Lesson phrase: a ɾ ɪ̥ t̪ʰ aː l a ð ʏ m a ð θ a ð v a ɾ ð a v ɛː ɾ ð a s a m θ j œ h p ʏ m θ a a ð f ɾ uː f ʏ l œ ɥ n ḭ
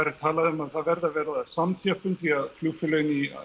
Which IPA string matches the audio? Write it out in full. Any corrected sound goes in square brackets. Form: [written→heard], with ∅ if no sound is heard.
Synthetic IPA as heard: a ɾ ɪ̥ t̪ʰ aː l a ð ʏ m a ð θ a ð v [a→ɛ] ɾ ð a v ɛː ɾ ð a s a m θ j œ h p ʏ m θ [a→i] a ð f [ɾ→l] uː f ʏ l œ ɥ n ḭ